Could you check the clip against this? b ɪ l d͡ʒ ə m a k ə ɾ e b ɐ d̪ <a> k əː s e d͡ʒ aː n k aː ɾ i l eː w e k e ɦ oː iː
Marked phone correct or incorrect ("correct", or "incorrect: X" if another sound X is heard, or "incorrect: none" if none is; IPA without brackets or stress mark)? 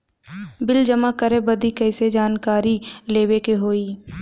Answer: incorrect: i